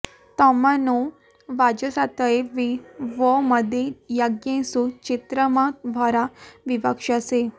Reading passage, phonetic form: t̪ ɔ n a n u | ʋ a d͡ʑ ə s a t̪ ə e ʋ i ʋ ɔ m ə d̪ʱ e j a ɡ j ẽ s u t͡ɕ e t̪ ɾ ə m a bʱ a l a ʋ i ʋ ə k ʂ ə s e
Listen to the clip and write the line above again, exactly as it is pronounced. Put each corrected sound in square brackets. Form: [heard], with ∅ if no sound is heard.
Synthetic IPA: t̪ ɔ [m] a n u | ʋ a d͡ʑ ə s a t̪ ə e ʋ i ʋ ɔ m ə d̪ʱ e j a ɡ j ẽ s u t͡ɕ [i] t̪ ɾ ə m a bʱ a [ɾ] a ʋ i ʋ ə k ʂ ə s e